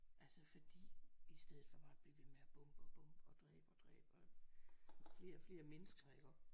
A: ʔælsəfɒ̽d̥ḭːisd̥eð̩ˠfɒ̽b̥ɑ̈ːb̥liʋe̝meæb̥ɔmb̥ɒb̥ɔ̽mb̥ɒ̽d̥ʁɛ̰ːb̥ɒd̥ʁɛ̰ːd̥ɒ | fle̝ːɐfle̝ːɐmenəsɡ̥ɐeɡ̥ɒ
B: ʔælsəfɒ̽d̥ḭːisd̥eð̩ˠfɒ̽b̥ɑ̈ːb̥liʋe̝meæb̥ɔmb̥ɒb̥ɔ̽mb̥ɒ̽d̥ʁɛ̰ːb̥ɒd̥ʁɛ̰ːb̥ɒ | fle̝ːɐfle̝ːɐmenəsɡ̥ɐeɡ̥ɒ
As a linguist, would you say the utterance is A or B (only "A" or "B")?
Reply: B